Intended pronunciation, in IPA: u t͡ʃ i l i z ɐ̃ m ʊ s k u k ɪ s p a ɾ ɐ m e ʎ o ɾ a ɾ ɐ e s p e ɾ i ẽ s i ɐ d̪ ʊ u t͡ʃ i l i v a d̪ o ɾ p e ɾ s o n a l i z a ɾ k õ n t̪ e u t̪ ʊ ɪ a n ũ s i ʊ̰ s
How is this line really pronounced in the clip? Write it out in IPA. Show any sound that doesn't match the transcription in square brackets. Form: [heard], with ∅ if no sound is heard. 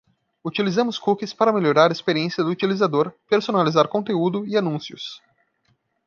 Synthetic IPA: u t͡ʃ i l i z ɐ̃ m ʊ s k u k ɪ s p a ɾ ɐ m e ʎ o ɾ a ɾ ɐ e s p e ɾ i ẽ s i ɐ d̪ ʊ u t͡ʃ i l i [z] a d̪ o ɾ p e ɾ s o n a l i z a ɾ k õ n t̪ e u [d̪] ʊ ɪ a n ũ s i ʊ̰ s